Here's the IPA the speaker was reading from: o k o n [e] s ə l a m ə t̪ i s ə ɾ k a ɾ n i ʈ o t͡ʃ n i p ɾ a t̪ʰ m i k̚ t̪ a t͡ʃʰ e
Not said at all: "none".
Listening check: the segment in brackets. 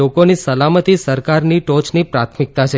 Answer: i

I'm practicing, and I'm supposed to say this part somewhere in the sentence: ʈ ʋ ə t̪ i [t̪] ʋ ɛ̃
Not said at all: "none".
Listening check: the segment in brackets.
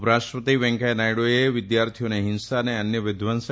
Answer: none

